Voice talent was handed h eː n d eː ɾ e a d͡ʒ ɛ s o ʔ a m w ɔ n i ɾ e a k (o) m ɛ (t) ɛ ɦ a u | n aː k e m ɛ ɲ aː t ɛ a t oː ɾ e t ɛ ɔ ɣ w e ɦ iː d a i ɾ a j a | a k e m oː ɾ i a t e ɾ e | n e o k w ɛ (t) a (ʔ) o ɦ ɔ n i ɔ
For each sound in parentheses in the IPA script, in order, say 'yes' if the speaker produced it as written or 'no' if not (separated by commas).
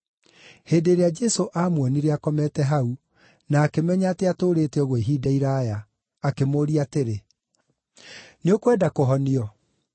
no, yes, no, no